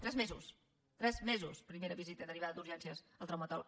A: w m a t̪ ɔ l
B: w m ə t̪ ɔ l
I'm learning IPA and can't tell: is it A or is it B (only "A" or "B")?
B